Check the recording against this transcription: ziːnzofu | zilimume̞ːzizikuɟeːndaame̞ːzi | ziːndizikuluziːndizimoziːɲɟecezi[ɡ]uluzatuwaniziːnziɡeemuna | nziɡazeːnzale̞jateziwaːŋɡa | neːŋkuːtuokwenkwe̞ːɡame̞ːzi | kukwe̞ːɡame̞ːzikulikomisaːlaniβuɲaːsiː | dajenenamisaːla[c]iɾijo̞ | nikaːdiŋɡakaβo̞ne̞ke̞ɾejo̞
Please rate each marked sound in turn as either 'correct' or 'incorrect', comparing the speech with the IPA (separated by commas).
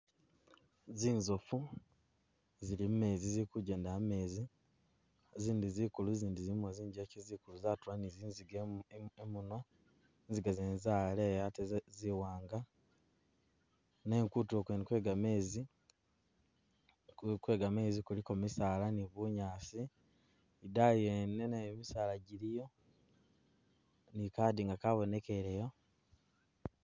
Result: incorrect, incorrect